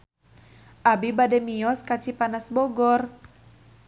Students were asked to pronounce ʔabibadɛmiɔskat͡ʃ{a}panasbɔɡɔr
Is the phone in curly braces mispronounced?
yes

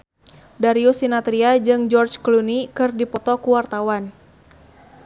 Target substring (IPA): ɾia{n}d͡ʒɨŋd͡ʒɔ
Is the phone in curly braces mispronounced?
yes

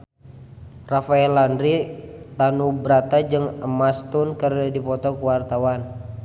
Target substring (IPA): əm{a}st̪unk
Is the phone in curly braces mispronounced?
no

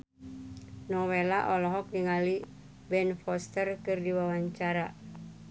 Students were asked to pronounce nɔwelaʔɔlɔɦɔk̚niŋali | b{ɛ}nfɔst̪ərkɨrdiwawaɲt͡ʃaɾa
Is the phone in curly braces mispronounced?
no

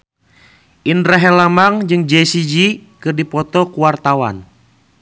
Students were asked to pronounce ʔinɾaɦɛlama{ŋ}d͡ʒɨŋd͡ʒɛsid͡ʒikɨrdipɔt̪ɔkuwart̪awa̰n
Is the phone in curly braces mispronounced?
no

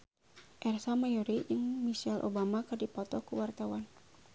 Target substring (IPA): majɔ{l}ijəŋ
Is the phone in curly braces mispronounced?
yes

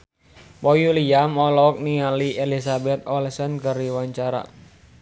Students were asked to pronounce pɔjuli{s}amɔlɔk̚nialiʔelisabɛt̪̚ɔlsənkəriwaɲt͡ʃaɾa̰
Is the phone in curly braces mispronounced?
yes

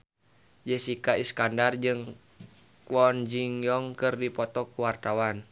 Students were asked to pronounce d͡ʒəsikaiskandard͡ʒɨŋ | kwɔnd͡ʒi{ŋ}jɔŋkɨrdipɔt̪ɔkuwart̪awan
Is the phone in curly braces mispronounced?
no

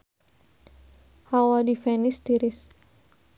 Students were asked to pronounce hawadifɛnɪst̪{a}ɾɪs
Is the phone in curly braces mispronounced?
yes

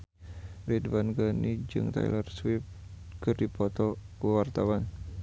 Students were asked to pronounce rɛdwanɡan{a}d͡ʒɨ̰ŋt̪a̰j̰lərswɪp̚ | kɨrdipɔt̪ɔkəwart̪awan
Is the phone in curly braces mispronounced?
yes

